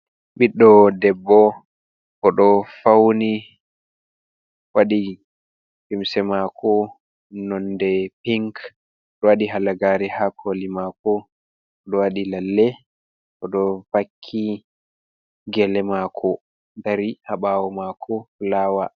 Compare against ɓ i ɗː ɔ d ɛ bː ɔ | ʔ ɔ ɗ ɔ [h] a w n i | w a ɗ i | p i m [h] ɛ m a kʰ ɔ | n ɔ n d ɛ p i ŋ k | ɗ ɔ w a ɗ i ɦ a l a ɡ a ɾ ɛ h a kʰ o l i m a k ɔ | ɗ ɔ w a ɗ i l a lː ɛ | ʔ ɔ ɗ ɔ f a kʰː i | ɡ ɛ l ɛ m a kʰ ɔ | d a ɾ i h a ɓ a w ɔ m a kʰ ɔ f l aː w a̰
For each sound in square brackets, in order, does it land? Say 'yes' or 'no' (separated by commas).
no, no